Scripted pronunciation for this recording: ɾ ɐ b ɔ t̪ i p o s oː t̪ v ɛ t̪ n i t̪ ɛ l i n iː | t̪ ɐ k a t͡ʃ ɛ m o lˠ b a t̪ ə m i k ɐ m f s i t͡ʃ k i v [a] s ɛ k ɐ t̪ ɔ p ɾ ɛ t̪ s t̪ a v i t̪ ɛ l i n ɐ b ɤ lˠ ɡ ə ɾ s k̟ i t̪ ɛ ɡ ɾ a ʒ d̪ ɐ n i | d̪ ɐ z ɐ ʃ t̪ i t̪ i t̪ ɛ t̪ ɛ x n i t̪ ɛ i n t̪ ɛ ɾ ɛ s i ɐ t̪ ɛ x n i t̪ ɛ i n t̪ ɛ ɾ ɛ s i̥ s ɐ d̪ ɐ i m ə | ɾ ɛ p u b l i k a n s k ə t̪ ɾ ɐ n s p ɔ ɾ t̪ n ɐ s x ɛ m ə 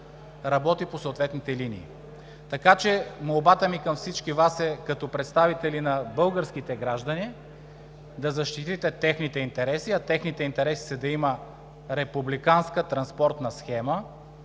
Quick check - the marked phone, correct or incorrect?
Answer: correct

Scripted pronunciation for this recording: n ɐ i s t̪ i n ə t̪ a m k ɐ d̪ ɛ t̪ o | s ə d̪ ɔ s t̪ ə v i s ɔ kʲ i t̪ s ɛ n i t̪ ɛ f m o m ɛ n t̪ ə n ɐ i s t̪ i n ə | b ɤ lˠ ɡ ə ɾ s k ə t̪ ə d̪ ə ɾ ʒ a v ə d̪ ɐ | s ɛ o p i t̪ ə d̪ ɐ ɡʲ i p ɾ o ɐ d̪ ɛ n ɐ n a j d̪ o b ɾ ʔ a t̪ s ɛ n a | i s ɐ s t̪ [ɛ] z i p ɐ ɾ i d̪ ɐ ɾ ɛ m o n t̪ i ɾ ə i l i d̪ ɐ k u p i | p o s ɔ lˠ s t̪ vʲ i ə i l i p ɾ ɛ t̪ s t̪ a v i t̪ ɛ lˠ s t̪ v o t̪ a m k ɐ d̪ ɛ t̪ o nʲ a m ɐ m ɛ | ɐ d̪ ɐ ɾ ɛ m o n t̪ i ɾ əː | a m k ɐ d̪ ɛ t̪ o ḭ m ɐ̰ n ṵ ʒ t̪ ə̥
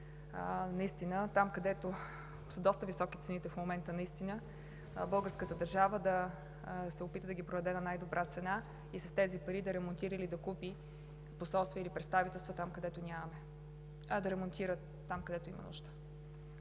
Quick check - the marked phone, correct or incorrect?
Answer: correct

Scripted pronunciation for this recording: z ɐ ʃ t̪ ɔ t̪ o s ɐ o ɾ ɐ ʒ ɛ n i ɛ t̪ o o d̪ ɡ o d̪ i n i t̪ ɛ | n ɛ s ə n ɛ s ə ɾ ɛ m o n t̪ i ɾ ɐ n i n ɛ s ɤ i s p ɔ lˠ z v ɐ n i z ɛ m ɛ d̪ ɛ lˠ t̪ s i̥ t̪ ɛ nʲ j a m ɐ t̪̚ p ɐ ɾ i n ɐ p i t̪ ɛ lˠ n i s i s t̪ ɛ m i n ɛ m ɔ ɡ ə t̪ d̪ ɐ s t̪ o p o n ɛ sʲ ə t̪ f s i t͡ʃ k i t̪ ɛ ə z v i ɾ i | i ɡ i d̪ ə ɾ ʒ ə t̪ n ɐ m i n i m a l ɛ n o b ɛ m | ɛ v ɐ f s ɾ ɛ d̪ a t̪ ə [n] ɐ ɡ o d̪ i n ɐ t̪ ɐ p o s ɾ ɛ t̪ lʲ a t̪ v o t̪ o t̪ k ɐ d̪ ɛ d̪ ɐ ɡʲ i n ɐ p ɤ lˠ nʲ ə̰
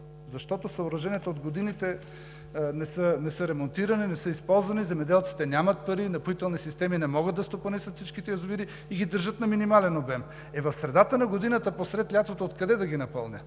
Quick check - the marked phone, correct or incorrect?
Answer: correct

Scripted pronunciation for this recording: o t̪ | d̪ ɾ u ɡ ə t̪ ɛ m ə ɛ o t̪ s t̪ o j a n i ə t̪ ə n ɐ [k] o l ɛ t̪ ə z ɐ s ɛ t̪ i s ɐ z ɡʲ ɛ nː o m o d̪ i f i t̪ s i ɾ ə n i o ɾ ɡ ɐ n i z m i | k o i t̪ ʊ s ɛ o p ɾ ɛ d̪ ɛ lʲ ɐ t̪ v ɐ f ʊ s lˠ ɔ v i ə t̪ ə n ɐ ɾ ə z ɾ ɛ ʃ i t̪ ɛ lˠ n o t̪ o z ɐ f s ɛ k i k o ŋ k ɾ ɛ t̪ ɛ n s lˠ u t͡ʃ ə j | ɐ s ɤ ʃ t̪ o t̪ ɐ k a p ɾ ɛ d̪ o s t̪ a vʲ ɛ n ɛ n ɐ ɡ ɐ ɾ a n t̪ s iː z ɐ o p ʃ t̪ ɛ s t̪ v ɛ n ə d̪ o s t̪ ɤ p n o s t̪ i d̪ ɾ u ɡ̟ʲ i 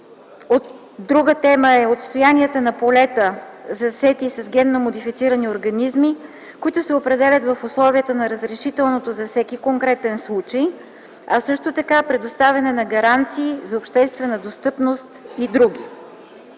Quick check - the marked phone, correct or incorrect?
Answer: incorrect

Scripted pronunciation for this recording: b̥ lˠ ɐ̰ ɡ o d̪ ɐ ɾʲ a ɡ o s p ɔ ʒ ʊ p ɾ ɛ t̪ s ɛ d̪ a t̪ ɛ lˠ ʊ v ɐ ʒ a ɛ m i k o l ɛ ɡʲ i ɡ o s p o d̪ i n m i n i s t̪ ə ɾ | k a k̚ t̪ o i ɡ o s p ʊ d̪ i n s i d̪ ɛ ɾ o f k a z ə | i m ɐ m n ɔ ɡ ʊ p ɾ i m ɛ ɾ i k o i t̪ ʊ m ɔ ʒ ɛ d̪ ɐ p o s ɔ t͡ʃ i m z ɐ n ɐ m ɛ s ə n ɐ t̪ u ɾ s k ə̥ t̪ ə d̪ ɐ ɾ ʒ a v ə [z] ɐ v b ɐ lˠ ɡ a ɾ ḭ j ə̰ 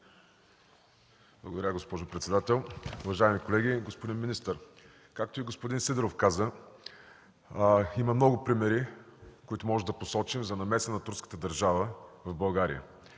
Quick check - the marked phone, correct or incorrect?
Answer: incorrect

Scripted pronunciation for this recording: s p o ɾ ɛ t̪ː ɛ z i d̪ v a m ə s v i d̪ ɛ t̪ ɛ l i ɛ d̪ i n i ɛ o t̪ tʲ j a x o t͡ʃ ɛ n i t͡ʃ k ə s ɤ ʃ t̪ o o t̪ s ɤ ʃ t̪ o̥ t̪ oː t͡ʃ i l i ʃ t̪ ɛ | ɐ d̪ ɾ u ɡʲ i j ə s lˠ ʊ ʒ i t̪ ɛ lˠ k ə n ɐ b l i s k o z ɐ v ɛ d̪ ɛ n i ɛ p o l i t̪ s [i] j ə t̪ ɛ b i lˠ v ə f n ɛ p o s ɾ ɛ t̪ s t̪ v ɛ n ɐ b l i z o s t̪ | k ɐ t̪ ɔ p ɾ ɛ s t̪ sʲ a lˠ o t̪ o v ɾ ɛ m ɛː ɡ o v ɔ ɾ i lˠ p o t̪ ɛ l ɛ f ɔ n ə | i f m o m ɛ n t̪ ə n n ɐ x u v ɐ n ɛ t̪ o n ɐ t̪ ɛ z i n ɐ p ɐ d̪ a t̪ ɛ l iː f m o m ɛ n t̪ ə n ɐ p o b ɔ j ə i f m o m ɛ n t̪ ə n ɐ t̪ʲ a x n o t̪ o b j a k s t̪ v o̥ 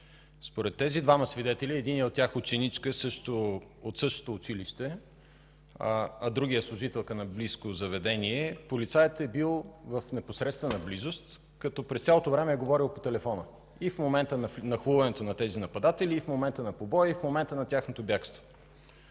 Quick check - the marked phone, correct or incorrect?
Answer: incorrect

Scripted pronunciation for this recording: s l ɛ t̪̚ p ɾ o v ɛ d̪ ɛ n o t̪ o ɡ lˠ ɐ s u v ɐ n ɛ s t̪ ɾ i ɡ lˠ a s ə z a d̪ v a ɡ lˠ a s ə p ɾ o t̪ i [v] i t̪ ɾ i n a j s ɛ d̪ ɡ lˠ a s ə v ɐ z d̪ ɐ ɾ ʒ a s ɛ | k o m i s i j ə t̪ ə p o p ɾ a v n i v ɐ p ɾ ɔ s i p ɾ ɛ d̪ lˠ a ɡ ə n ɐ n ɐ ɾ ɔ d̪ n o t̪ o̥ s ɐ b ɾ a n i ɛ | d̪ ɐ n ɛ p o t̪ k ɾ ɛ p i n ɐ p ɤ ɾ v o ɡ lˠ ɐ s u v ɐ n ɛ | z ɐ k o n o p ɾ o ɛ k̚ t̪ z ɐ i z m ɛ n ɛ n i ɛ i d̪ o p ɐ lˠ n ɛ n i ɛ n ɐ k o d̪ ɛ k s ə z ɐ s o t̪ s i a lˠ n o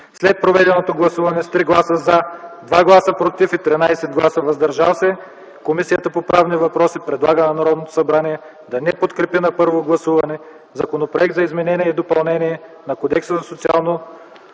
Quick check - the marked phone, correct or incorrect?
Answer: incorrect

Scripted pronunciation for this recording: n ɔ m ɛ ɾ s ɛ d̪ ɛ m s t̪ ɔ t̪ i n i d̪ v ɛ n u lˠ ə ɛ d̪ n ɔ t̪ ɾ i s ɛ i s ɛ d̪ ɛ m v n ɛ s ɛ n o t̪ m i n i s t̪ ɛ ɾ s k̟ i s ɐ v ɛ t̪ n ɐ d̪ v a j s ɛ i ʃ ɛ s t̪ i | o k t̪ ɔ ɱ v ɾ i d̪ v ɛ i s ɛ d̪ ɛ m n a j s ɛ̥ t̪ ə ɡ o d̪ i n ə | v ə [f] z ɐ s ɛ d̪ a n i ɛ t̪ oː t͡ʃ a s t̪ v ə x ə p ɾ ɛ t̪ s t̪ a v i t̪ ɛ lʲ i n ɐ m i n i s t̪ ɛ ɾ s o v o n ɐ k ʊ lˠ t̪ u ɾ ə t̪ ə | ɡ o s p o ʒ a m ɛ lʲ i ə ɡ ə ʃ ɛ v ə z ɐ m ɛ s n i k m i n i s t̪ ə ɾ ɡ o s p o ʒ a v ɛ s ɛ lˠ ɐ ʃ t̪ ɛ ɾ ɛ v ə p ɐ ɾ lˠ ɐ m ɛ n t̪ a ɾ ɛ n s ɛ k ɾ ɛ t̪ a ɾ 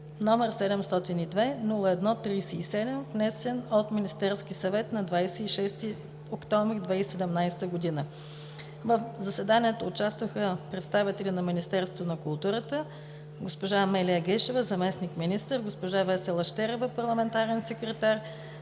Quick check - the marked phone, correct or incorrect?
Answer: correct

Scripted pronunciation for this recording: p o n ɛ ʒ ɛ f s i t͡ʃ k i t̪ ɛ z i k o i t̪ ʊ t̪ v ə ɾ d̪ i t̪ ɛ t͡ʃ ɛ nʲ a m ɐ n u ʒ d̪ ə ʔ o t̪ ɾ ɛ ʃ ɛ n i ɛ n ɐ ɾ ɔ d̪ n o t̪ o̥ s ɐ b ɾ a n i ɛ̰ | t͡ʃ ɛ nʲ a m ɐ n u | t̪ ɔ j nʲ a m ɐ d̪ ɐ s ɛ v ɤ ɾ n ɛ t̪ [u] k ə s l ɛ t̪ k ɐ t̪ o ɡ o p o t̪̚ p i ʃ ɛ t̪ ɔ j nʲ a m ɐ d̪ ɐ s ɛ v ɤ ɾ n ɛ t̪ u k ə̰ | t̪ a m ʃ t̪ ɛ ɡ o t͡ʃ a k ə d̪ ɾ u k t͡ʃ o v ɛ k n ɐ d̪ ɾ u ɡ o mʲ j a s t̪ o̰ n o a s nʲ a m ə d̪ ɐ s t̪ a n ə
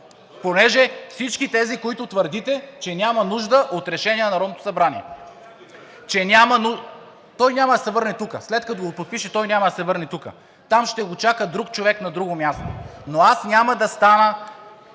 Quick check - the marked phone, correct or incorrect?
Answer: correct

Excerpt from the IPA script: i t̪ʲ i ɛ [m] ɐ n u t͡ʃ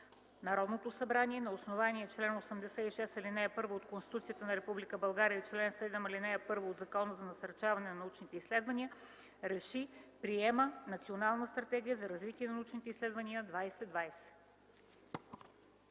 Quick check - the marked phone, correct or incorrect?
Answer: incorrect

